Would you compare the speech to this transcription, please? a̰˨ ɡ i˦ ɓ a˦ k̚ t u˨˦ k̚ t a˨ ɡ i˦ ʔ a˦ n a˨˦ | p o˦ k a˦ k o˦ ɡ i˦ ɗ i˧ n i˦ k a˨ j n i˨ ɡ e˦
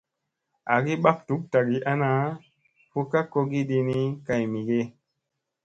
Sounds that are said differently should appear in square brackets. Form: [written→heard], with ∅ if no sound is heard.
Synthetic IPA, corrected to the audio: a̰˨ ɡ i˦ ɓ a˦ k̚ t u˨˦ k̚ t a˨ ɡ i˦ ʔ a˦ n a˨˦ | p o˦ k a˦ k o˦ ɡ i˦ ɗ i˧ n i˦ k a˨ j [n→m] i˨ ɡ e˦